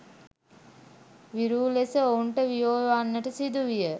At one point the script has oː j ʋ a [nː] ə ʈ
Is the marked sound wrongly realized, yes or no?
no